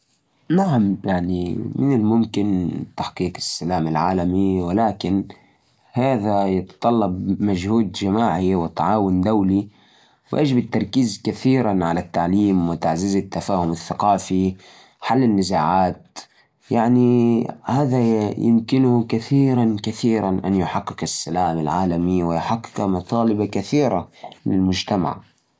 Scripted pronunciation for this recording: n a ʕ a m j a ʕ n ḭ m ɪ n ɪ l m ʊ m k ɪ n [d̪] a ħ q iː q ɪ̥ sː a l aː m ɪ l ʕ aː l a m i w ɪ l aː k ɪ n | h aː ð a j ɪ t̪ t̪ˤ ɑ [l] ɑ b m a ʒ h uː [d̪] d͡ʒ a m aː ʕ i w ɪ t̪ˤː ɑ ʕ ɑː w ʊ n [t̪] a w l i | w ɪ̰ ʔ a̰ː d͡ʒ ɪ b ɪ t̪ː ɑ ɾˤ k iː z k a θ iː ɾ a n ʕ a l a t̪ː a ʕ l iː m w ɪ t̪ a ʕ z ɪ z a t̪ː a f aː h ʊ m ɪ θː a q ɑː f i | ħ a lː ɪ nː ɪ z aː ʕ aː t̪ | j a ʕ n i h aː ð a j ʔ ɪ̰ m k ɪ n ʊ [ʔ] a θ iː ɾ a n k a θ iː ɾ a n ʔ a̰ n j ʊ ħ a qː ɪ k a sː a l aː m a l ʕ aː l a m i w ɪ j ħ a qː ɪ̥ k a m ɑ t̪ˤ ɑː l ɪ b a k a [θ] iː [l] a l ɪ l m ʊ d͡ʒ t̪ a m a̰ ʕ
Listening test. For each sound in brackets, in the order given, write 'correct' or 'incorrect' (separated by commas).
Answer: incorrect, incorrect, correct, incorrect, incorrect, correct, incorrect